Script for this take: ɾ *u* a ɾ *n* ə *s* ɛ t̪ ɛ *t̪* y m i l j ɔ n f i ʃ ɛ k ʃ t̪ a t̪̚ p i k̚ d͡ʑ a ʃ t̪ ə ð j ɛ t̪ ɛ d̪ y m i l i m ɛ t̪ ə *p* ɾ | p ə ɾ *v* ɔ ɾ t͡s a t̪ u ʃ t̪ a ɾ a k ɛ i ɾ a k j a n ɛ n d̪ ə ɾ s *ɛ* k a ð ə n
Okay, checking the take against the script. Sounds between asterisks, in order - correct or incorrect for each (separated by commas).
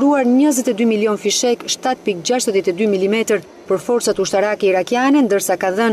correct, incorrect, incorrect, incorrect, incorrect, incorrect, incorrect